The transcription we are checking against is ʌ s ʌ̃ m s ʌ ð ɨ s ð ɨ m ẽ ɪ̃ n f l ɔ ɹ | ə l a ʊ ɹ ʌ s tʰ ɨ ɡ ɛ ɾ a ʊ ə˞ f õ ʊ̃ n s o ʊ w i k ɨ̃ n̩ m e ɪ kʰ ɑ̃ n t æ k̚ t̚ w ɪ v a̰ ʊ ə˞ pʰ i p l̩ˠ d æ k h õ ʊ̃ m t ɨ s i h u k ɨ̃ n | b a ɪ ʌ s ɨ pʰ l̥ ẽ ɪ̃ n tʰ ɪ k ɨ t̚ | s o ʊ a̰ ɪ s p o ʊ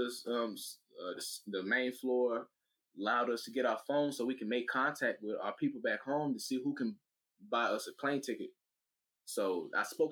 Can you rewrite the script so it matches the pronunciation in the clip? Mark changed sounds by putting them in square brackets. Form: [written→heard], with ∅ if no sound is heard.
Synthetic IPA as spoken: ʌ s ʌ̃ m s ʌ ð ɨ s ð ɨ m ẽ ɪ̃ n f l ɔ ɹ | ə l a ʊ [ɹ→ɾ] ʌ s tʰ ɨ ɡ ɛ ɾ a ʊ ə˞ f õ ʊ̃ n s o ʊ w i k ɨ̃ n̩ m e ɪ kʰ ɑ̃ n [t→tʰ] æ k̚ t̚ w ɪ [v→ð] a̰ ʊ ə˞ pʰ i p l̩ˠ [d→b] æ k h õ ʊ̃ m t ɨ s i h u k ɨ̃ n | b a ɪ ʌ s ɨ pʰ l̥ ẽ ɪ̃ n tʰ ɪ k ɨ t̚ | s o ʊ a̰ ɪ s p o ʊ